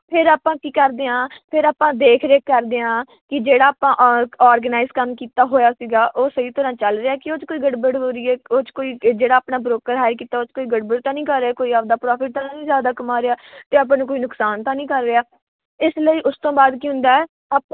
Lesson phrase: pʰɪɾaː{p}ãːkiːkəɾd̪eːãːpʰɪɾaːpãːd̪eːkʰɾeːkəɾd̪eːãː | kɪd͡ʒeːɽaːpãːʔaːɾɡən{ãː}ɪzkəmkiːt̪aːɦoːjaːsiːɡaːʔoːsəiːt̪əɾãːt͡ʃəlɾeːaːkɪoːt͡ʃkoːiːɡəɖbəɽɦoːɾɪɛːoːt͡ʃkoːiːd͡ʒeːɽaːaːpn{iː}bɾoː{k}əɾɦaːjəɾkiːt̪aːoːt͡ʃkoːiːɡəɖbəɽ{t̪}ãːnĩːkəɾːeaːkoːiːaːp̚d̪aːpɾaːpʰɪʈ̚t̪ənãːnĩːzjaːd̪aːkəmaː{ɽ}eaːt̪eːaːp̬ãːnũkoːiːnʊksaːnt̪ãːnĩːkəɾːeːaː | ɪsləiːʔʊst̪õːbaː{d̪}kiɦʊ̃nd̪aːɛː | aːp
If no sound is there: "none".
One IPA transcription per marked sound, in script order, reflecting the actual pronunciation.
p, aː, aː, k, t̪, ɾ, d̪

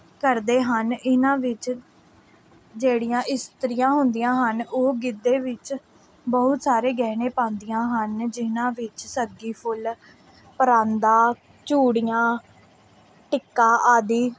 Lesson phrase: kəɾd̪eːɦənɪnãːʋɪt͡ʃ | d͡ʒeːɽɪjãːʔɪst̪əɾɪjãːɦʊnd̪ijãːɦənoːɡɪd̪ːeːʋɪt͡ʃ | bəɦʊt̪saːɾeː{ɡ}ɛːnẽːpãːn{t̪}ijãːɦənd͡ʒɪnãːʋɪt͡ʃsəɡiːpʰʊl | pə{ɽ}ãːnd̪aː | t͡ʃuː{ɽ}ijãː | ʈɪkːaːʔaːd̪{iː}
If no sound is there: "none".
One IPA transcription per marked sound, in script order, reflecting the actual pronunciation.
ɡ, d̪, ɾ, ɽ, iː

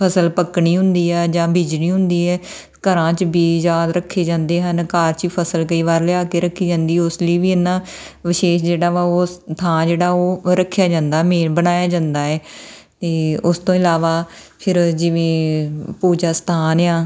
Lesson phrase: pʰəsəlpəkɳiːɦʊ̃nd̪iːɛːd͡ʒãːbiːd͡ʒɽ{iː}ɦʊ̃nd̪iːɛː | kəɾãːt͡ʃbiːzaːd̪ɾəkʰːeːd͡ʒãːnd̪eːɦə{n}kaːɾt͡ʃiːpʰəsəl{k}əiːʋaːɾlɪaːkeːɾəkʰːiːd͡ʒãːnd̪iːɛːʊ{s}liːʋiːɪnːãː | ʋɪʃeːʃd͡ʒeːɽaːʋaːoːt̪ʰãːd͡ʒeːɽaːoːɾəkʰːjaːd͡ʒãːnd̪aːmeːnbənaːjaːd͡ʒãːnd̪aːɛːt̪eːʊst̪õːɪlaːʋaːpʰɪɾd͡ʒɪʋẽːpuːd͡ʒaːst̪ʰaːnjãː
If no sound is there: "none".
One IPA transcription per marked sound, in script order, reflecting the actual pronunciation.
iː, n, k, s

